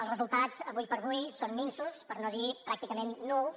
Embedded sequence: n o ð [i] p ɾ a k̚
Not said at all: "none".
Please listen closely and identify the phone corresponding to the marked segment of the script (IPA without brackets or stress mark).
i